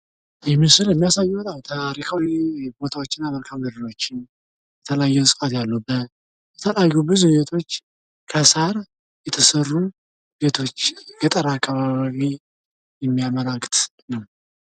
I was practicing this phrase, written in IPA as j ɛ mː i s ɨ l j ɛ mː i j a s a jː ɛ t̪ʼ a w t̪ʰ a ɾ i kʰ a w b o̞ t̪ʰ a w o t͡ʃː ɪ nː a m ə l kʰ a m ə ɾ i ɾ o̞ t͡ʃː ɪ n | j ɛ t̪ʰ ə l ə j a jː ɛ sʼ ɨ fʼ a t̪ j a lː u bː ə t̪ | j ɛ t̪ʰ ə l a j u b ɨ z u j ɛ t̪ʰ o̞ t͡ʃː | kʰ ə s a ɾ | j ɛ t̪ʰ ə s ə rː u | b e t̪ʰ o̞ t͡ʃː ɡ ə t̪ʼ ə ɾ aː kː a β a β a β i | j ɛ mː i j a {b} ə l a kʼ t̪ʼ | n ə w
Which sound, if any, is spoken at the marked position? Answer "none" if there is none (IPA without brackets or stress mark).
m